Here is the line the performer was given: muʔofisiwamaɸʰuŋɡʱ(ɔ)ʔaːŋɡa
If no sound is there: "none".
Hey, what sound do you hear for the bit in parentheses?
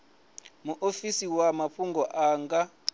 ɔ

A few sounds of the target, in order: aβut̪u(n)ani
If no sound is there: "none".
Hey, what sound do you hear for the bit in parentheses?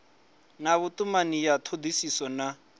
m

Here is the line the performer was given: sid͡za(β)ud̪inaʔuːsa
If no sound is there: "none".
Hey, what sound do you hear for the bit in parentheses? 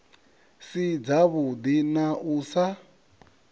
β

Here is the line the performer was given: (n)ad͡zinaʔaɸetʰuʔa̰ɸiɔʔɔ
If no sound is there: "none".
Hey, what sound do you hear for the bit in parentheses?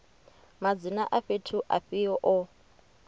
m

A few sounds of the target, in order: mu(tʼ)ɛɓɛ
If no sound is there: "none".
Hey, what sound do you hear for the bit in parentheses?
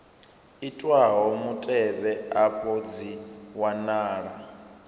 tʼ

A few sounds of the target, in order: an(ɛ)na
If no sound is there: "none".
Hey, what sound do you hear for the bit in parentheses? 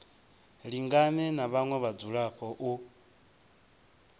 ɛ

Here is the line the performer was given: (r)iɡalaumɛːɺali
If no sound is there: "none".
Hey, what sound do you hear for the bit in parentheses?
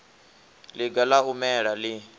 l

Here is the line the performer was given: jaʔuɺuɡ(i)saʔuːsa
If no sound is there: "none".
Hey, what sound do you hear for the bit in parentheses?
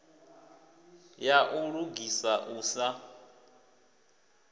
i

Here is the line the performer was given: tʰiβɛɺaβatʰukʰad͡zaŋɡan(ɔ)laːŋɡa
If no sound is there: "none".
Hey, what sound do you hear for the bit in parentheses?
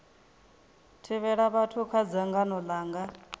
ɔ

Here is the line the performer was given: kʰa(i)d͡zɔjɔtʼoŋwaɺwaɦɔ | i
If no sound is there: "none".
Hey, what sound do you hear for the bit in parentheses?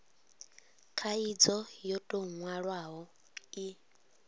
i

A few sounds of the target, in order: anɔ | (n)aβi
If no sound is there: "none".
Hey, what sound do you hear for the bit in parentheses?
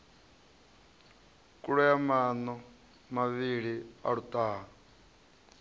m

